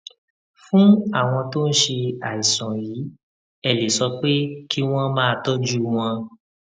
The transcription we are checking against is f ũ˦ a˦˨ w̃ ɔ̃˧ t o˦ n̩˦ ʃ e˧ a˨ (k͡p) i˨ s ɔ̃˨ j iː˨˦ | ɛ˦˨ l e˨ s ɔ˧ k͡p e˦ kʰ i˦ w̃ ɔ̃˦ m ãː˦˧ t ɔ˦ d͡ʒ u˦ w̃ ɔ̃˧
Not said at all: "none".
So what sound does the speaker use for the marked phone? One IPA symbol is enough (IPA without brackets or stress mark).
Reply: none